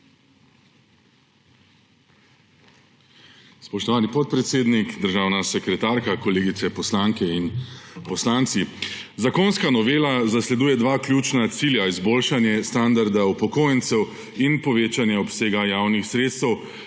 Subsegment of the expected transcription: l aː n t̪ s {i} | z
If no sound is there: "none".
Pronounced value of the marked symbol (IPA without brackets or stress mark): i